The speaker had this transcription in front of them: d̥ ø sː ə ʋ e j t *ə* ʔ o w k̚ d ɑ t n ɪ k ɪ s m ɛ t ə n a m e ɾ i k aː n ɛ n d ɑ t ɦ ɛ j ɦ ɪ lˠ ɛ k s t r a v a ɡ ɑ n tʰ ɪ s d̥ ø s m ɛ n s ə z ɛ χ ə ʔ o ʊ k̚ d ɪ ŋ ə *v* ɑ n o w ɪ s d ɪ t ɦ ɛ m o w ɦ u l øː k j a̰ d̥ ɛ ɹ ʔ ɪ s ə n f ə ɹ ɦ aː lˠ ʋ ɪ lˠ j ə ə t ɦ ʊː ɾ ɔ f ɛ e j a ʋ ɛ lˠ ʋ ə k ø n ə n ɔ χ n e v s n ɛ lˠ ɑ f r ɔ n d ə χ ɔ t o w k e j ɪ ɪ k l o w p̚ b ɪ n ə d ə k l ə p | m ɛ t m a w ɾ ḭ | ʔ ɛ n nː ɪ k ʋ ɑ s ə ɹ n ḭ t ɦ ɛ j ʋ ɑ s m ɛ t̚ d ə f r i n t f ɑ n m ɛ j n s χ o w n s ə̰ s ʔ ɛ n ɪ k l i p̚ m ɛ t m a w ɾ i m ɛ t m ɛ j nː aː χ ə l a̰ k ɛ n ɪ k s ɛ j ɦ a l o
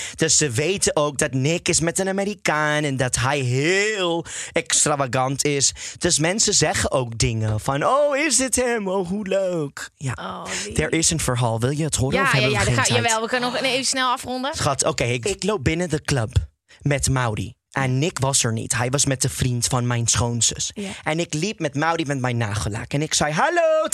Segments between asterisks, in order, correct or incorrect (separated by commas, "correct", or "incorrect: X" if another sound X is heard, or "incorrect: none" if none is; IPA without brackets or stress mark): correct, incorrect: f